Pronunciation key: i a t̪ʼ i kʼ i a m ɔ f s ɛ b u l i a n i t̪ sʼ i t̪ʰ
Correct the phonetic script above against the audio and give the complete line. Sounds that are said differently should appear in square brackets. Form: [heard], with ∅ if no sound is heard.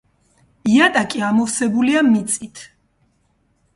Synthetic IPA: i a t̪ʼ [a] kʼ i a m ɔ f s ɛ b u l i a [m] i t̪ sʼ i t̪ʰ